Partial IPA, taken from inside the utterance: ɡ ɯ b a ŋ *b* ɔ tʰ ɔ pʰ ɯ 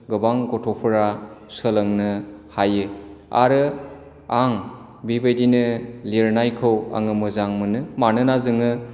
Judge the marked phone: incorrect: ɡ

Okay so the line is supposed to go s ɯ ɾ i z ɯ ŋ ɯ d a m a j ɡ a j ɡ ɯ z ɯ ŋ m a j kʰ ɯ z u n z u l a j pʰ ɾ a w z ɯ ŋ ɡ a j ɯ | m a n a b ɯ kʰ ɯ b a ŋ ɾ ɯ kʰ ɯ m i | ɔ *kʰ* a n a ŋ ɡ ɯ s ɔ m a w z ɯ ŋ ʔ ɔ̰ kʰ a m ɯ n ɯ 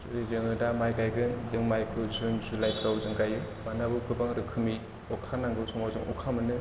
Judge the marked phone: correct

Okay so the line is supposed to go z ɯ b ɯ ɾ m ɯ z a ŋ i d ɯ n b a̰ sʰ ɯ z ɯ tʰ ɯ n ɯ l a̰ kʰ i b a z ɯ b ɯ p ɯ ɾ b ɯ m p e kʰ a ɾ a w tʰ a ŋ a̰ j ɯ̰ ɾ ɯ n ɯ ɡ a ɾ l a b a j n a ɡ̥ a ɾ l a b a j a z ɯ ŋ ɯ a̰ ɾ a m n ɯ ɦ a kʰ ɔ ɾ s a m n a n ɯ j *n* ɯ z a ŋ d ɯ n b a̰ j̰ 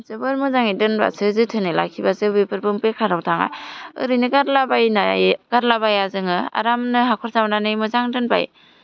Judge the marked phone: incorrect: m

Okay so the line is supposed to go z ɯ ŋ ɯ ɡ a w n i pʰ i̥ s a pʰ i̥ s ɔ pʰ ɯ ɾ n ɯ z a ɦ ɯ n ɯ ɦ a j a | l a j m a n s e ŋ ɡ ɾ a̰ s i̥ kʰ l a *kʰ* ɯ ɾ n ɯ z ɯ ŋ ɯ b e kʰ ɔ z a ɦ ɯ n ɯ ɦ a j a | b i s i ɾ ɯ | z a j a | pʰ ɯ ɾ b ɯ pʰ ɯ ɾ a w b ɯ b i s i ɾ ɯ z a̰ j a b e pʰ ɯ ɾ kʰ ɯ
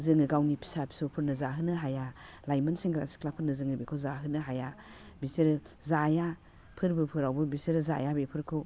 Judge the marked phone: incorrect: pʰ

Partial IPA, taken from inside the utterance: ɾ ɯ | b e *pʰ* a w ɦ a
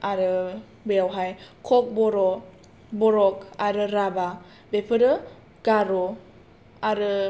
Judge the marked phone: incorrect: none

